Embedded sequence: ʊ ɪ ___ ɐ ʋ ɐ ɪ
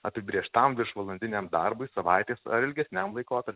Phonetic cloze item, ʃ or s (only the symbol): s